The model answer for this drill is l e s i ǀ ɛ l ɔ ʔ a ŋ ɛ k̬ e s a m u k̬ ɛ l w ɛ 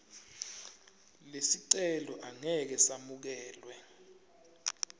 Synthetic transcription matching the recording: l e s i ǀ ɛ l ɔ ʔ a ŋ ɛ k̬ ɛ s a m u k̬ ɛː l w ɛ